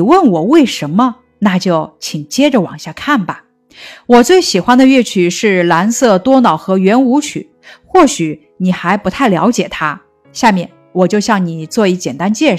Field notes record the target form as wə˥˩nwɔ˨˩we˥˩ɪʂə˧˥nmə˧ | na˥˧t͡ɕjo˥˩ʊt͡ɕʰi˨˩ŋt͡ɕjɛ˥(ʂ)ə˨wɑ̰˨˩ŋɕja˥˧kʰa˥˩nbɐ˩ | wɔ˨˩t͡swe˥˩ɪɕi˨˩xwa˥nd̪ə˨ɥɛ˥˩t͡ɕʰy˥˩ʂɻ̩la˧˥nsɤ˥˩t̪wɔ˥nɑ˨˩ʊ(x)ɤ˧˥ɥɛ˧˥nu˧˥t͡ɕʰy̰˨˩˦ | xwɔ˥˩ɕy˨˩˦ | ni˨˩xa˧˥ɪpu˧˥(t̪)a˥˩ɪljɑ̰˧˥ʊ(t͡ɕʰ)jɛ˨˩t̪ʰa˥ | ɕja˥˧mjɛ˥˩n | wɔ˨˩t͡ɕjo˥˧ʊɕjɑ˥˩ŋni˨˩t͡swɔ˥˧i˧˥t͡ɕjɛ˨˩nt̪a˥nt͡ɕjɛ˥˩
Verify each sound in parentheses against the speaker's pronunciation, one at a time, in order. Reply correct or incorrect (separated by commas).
incorrect, correct, incorrect, incorrect